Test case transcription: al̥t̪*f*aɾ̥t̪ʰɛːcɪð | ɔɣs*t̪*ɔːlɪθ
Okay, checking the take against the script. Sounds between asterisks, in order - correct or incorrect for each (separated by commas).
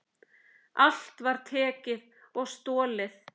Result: incorrect, correct